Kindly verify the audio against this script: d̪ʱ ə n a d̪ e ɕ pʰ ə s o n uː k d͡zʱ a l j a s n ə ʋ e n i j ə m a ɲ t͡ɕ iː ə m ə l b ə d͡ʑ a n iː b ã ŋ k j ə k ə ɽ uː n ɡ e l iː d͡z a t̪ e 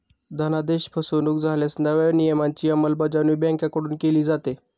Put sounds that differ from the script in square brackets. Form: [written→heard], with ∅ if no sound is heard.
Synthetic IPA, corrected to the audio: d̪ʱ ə n a d̪ e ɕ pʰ ə s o n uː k d͡zʱ a l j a s n ə ʋ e n i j ə m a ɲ t͡ɕ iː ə m ə l b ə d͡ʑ a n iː b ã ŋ k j [ə→a] k ə ɽ uː n [ɡ→k] e l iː d͡z a t̪ e